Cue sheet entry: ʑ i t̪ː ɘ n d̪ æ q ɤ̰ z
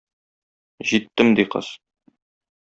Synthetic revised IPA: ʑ i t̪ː ɘ m d̪ i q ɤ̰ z

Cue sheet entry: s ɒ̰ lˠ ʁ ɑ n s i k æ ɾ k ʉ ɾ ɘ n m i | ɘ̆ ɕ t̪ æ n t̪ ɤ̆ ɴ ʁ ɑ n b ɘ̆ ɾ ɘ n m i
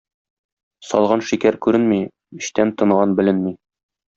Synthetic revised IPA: s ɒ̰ lˠ ʁ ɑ n ʃ i k æ ɾ k ʉ ɾ ɘ n m i | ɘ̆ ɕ t̪ æ n t̪ ɤ̆ ɴ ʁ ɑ n b ɘ̆ l ɘ n m i

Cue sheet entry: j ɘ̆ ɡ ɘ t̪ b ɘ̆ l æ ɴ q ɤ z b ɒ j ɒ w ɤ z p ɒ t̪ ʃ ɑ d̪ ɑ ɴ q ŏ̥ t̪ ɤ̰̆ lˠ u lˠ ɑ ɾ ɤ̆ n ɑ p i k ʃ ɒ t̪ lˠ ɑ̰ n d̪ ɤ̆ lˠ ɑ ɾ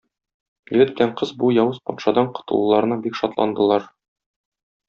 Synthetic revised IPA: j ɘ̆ ɡ ɘ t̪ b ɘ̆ l æ ɴ q ɤ z b u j ɒ w ɤ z p ɒ t̪ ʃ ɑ d̪ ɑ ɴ q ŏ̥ t̪ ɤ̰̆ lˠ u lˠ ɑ ɾ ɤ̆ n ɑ b i k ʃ ɒ t̪ lˠ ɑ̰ n d̪ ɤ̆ lˠ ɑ ɾ

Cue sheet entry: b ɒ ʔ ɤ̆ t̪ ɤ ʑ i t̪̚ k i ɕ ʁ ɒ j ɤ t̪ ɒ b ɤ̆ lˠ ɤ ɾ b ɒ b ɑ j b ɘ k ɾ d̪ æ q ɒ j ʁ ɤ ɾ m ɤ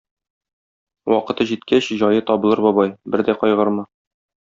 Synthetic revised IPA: w ɒ q ɤ̆ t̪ ɤ ʑ i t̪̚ k æ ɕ ʑ ɒ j ɤ t̪ ɒ b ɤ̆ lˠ ɤ ɾ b ɒ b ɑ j b ɘ ɾ d̪ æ q ɒ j ʁ ɤ ɾ m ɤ

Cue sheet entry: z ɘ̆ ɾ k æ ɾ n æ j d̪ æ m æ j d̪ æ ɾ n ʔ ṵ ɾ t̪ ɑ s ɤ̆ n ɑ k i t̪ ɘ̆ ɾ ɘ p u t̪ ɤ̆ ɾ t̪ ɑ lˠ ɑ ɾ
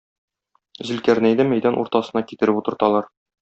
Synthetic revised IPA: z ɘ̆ l k æ ɾ n æ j d̪ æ m æ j d̪ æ n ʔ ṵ ɾ t̪ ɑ s ɤ̆ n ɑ k i t̪ ɘ̆ ɾ ɘ p u t̪ ɤ̆ ɾ t̪ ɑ lˠ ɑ ɾ

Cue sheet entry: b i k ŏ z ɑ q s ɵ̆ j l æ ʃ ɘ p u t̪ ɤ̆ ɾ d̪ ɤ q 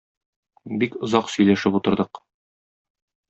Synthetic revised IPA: b i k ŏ z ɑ q s ɵ̆ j l æ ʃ ɘ p u t̪ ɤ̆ ɾ d̪ ɤ q

